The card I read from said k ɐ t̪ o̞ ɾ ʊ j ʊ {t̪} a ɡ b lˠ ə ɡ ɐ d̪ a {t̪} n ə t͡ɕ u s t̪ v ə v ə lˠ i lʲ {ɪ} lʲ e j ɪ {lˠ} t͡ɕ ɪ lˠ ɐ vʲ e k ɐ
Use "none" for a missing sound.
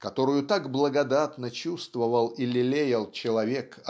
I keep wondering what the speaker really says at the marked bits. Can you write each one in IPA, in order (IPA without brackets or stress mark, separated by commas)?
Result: t̪, t̪, ɪ, lˠ